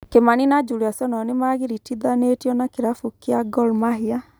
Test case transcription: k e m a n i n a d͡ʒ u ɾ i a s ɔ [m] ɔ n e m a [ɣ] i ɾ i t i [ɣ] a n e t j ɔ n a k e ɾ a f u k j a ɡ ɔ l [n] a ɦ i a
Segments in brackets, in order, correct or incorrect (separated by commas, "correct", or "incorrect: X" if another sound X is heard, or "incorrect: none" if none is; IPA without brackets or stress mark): incorrect: n, correct, incorrect: ð, incorrect: m